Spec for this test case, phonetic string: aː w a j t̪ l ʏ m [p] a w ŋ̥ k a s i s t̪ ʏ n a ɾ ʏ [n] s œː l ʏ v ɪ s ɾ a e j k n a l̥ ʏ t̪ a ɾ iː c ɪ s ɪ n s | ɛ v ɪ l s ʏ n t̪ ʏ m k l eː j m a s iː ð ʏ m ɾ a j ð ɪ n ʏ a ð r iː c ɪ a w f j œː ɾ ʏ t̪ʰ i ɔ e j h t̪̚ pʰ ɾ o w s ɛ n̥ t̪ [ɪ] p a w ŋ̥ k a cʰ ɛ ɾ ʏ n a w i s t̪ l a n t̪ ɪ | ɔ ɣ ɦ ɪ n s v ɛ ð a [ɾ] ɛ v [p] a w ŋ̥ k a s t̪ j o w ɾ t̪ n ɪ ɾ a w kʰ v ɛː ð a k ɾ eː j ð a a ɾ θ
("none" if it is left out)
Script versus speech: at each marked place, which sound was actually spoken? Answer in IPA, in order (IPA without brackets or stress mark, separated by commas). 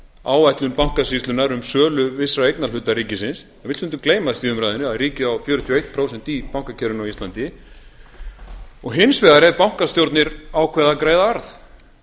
p, m, i, ɾ, p